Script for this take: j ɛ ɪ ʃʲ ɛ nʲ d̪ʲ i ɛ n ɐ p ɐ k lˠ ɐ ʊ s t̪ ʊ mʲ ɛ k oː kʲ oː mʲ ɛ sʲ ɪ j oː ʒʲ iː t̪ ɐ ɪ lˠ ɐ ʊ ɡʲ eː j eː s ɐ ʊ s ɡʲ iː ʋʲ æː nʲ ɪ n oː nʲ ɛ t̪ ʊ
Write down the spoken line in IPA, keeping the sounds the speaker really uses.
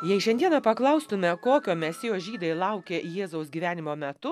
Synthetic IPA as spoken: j ɛ ɪ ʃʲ ɛ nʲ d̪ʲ i ɛ n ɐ p ɐ k lˠ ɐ ʊ s t̪ ʊ mʲ ɛ k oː kʲ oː mʲ ɛ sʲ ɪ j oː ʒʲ iː d̪ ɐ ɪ lˠ ɐ ʊ kʲ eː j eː z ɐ ʊ s ɡʲ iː ʋʲ æː nʲ ɪ m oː mʲ ɛ t̪ ʊ